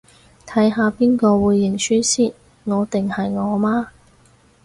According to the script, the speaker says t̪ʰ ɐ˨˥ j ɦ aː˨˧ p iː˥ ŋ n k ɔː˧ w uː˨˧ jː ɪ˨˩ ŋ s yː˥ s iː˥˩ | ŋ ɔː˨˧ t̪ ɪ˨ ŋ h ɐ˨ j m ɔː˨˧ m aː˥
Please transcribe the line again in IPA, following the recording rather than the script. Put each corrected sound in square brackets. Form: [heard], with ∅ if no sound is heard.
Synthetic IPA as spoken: t̪ʰ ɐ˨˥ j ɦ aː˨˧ p iː˥ [∅] n k ɔː˧ w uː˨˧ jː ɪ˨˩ ŋ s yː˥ s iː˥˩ | ŋ ɔː˨˧ t̪ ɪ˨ ŋ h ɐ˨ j [ŋ] ɔː˨˧ m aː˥